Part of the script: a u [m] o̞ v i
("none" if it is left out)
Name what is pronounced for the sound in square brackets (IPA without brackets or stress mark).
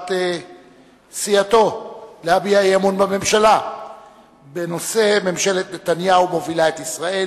m